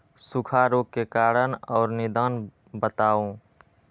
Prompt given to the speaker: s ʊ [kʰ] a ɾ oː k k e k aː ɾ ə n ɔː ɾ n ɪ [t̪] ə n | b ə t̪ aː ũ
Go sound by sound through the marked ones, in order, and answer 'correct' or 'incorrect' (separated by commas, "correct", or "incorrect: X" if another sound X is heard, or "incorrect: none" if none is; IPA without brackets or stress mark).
correct, incorrect: d̪